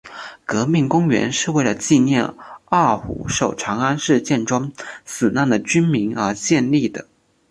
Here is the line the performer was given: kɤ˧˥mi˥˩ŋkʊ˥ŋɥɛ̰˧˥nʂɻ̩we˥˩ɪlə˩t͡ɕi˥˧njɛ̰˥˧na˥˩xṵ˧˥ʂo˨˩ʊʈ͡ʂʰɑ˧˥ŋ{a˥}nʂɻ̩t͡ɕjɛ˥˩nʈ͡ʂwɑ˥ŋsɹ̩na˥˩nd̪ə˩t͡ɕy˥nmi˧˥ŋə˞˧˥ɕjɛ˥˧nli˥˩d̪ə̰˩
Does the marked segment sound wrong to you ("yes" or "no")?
no